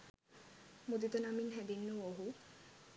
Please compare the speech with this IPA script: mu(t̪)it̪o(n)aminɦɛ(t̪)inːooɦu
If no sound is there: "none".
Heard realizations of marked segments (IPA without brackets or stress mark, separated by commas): d̪, n, d̪